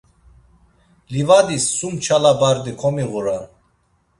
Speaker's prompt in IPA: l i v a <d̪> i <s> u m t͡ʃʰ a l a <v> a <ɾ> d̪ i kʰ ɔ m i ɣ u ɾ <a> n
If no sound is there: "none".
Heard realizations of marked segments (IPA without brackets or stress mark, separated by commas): d̪, sː, b, ɾ, a